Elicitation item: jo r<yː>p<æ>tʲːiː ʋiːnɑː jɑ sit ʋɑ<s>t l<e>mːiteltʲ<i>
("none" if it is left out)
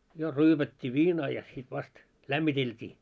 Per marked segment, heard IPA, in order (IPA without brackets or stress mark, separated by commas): yː, æ, s, æ, iː